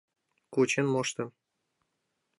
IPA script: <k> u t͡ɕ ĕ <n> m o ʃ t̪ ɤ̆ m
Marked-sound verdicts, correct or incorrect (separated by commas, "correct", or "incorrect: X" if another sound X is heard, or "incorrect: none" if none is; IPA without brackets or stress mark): correct, correct